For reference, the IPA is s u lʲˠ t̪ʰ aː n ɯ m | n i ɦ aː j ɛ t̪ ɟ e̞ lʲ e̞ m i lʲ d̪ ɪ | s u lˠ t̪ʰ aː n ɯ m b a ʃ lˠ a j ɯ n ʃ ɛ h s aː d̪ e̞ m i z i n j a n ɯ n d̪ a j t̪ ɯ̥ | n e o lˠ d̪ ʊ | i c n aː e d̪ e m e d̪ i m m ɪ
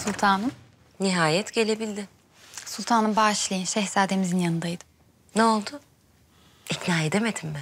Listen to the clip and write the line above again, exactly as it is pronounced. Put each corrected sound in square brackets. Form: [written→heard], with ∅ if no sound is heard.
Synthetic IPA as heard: s u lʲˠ t̪ʰ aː n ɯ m | n i ɦ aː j ɛ t̪ ɟ e̞ lʲ e̞ [m→b] i lʲ d̪ ɪ | s u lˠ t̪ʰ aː n ɯ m b a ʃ lˠ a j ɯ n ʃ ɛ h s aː d̪ e̞ m i z i n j a n ɯ n d̪ a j [t̪→d̪] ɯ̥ | n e o lˠ d̪ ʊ | i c n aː e d̪ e m e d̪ i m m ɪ